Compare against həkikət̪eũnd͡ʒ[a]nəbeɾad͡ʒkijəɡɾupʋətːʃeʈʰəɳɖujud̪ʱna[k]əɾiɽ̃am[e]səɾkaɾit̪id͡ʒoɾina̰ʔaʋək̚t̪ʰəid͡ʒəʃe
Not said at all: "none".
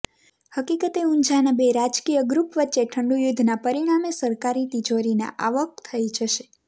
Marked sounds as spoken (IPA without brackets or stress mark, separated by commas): a, p, e